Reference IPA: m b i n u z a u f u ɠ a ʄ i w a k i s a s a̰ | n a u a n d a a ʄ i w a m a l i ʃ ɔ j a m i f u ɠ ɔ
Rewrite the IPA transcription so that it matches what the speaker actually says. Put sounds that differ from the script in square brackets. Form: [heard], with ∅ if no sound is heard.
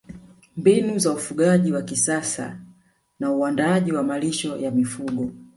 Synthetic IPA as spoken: m b i n u z a u f u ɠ a ʄ i w a k i s a s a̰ | n a u a n d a a ʄ i w a m a l i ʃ ɔ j a m i f u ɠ ɔ